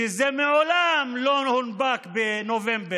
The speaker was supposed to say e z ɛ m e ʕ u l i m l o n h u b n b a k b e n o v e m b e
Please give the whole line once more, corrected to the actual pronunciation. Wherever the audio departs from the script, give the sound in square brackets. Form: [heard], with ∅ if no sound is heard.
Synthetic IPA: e z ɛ m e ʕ [o] l [a] m l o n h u [∅] n b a k b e n o v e m b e